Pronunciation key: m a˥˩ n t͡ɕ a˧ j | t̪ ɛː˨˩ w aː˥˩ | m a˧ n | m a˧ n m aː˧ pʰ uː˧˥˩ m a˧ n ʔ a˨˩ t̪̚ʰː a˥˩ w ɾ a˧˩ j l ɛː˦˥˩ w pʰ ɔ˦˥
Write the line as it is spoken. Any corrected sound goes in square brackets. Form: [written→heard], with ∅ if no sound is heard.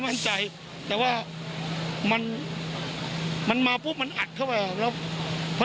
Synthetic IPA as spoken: m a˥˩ n t͡ɕ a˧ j | t̪ ɛː˨˩ w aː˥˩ | m a˧ n | m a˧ n m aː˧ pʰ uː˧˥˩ m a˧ n ʔ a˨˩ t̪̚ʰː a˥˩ w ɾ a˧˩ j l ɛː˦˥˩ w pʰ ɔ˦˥